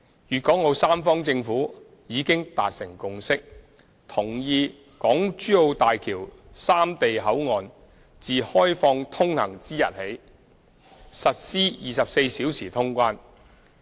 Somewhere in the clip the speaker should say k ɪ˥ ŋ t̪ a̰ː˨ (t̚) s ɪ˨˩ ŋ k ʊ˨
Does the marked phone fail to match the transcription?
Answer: no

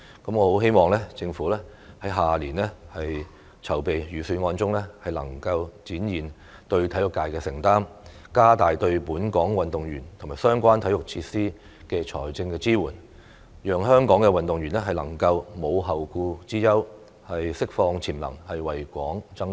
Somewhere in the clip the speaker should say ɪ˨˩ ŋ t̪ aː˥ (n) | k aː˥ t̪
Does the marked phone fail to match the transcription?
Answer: yes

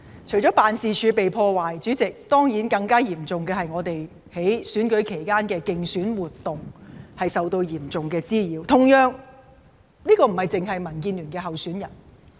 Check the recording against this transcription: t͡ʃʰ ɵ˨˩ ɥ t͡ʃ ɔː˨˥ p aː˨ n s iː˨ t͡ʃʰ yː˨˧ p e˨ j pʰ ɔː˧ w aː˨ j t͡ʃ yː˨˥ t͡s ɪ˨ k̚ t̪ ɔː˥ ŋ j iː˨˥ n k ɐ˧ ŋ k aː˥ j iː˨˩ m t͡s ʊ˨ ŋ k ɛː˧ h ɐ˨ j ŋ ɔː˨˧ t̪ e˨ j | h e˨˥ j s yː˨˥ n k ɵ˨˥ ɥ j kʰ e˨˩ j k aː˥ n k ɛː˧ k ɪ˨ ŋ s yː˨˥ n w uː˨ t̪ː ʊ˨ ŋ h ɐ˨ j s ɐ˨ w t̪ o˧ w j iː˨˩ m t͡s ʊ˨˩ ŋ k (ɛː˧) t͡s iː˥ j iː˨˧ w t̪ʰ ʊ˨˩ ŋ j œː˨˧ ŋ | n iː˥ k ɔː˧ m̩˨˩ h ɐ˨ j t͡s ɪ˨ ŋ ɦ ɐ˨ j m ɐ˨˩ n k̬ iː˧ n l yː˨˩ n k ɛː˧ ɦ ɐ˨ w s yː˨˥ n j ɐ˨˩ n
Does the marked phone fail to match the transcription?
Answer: no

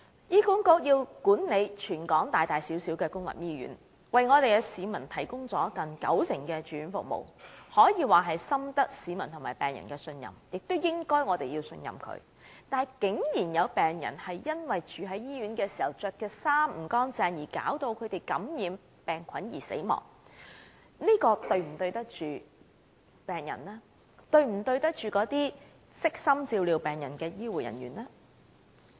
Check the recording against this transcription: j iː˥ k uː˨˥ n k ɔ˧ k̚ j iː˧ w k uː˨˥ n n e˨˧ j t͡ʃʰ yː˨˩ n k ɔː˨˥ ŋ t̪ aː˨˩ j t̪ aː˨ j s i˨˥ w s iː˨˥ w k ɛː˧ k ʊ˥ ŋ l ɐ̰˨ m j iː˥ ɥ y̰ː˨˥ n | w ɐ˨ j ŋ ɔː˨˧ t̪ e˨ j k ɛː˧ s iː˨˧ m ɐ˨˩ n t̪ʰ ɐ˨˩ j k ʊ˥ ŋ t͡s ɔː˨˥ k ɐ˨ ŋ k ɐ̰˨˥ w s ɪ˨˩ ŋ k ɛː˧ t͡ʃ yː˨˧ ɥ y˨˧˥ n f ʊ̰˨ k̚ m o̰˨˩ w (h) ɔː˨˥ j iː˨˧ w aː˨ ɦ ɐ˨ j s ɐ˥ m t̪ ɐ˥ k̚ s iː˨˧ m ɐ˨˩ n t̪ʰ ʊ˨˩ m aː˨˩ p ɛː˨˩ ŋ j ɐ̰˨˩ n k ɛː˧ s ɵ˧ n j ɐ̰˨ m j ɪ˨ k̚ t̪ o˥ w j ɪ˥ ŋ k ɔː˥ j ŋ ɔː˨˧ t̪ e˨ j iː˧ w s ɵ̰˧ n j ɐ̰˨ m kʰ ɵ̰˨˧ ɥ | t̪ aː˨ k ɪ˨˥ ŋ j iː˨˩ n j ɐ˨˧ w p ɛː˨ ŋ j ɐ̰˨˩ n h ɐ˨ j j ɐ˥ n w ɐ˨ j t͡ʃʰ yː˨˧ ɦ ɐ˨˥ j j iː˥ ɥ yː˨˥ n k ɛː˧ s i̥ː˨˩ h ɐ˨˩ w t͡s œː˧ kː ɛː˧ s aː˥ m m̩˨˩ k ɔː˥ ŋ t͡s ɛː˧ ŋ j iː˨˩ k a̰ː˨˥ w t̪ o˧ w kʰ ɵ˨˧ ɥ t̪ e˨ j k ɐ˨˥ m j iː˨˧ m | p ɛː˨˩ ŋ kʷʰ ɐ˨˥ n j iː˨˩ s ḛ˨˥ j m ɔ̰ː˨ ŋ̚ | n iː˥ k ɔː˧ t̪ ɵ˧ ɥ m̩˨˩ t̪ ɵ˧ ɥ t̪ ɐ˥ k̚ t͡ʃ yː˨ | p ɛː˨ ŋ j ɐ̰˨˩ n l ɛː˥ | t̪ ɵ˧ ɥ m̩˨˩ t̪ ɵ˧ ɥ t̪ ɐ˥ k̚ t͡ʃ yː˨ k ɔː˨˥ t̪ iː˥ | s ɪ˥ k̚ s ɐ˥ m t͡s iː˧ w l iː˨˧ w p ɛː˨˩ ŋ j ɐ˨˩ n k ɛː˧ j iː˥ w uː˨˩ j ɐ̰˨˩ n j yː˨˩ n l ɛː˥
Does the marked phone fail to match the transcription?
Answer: no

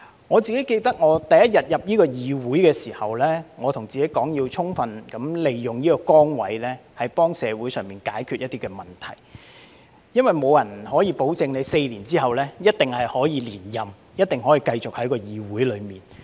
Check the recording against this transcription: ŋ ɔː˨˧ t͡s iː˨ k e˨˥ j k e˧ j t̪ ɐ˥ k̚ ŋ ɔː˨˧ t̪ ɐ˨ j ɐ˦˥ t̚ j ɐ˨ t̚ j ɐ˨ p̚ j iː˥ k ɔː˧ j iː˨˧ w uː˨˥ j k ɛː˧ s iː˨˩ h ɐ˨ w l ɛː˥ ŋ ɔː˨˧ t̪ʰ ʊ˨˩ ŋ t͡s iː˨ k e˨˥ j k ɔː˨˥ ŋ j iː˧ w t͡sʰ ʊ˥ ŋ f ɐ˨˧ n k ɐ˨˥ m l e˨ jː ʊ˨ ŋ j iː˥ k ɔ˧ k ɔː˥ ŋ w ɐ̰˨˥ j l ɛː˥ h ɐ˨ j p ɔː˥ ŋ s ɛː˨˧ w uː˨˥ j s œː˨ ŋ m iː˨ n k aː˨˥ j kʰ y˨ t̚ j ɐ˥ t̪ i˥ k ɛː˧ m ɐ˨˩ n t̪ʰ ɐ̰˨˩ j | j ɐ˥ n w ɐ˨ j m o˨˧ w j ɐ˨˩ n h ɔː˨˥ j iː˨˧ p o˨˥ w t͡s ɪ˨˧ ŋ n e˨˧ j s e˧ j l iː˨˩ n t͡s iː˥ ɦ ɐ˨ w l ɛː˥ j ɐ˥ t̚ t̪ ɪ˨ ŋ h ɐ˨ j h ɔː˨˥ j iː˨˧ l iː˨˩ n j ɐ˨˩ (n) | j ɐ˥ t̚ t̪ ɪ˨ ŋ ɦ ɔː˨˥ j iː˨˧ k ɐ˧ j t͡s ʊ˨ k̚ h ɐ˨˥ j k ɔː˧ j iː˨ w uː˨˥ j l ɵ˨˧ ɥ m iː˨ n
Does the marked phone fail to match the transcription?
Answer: yes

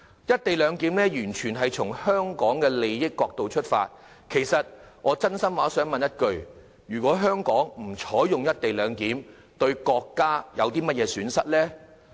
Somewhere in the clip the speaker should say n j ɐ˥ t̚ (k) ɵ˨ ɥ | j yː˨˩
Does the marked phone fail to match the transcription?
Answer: no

